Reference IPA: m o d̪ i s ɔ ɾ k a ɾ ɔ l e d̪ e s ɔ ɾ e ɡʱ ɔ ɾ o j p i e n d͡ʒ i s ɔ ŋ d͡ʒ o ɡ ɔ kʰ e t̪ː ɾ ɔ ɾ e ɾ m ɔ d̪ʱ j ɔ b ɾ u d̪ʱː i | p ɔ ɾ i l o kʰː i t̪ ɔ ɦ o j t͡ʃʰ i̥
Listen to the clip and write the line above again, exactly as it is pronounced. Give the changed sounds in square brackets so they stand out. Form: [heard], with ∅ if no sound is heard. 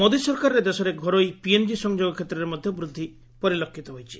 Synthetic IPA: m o d̪ i s ɔ ɾ k a ɾ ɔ [ɾ] e d̪ e s ɔ ɾ e ɡʱ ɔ ɾ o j p i e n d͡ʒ i s ɔ ŋ d͡ʒ o ɡ ɔ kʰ e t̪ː ɾ ɔ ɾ e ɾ m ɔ d̪ʱ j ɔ b ɾ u d̪ʱː i | p ɔ ɾ i l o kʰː i t̪ ɔ ɦ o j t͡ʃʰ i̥